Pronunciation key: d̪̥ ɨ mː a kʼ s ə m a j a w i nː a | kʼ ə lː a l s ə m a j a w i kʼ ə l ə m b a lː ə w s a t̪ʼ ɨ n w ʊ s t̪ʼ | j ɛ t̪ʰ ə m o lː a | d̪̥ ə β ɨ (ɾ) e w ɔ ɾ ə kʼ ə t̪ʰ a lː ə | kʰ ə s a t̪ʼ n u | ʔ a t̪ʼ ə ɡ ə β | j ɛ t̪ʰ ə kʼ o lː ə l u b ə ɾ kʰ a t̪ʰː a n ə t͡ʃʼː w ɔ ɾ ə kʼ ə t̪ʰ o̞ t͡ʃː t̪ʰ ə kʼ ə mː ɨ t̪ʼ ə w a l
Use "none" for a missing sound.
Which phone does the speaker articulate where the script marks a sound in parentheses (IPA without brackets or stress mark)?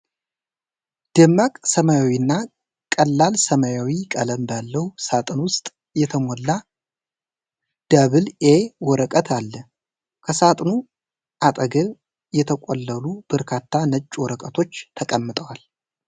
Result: l